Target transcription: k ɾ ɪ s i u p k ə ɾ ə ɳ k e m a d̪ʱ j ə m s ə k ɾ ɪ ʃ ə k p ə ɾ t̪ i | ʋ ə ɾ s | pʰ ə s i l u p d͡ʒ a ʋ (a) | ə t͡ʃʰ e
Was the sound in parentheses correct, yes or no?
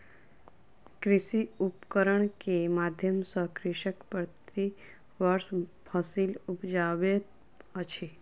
no